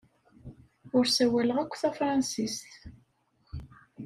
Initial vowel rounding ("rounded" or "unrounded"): rounded